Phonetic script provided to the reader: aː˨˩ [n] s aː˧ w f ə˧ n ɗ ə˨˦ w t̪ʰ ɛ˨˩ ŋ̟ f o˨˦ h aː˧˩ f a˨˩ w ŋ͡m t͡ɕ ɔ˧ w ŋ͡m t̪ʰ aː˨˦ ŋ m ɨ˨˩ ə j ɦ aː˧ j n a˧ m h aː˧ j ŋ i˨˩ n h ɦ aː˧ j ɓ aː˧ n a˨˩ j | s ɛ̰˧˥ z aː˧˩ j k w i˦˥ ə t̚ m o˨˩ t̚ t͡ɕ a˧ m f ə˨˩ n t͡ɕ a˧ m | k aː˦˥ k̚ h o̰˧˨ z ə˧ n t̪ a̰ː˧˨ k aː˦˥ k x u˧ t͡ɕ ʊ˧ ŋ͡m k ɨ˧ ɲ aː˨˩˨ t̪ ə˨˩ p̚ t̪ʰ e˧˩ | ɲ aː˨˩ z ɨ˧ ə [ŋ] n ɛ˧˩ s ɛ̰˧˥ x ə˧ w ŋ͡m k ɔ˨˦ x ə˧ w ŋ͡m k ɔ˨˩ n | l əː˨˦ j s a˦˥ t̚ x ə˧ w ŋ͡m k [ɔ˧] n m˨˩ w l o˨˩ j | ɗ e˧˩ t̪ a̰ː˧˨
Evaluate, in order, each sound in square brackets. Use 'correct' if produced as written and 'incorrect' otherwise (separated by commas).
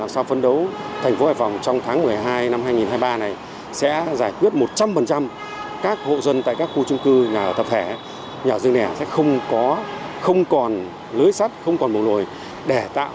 incorrect, correct, incorrect